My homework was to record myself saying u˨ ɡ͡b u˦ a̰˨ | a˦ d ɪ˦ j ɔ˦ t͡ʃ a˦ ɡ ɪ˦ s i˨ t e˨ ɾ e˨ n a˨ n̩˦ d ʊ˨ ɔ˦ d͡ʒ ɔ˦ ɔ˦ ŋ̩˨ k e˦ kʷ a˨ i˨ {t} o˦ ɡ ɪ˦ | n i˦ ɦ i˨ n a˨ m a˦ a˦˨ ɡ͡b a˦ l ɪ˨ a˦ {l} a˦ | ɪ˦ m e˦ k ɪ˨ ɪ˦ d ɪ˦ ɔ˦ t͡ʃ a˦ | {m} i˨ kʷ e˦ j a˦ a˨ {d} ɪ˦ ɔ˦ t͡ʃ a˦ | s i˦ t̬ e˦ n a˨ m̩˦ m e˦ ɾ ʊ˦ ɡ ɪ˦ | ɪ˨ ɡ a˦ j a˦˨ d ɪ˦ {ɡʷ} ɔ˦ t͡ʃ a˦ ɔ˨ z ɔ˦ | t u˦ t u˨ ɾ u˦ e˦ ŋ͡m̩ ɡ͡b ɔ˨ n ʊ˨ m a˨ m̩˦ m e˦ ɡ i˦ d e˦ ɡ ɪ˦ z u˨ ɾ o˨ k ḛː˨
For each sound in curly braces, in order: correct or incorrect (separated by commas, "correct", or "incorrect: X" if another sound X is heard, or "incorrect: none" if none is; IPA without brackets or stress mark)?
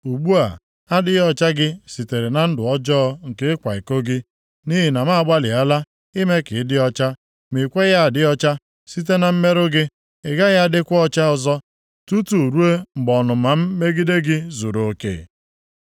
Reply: incorrect: k, correct, correct, correct, incorrect: kʷ